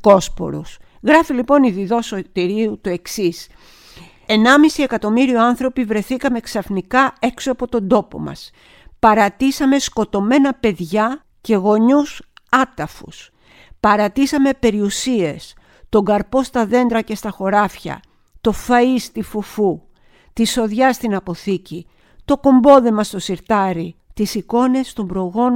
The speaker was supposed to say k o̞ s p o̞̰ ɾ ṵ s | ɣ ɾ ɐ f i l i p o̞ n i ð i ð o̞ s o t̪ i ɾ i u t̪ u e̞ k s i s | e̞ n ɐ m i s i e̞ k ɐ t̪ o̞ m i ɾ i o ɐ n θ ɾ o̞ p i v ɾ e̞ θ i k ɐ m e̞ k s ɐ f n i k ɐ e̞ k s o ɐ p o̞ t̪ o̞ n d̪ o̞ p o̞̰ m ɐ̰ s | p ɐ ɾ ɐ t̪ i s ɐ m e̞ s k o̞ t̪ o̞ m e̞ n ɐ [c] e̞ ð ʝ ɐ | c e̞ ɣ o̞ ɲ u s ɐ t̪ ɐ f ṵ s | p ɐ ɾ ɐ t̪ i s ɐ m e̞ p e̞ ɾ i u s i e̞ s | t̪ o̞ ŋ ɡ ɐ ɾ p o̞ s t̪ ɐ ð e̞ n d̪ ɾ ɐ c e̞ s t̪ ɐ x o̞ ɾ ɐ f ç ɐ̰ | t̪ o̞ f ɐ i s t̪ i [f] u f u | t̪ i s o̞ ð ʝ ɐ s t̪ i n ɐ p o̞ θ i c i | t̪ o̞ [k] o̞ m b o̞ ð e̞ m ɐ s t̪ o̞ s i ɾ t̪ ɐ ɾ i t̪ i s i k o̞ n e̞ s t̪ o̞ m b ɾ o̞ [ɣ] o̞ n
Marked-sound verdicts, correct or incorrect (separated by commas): incorrect, correct, correct, correct